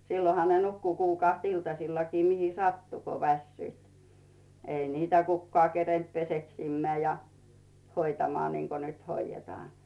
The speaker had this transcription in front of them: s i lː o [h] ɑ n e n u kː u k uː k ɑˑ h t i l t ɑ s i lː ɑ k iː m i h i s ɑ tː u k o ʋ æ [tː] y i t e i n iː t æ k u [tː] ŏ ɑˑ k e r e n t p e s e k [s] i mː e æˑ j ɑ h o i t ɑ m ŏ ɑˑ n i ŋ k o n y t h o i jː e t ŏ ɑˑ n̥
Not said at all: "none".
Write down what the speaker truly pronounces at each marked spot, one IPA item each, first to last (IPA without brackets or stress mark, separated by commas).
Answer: h, sː, kː, s